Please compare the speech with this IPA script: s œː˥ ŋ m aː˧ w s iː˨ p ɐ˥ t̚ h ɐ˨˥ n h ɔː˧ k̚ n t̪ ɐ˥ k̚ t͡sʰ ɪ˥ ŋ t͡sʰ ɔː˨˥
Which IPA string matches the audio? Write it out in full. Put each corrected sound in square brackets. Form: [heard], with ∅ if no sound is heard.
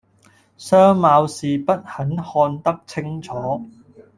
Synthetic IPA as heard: s œː˥ ŋ m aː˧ w s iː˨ p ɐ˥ t̚ h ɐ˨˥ n h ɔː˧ [∅] n t̪ ɐ˥ k̚ t͡sʰ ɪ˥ ŋ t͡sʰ ɔː˨˥